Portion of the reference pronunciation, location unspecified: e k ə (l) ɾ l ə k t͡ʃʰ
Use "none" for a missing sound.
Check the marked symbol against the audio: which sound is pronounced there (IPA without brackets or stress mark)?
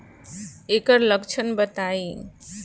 none